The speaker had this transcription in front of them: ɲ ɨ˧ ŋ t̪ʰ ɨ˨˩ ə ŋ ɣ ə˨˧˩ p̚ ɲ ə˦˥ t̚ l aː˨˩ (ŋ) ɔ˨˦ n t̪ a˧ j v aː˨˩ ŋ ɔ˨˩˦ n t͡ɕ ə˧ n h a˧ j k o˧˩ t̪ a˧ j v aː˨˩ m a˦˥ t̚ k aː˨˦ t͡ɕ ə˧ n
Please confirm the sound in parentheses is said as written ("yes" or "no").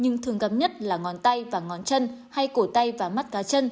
yes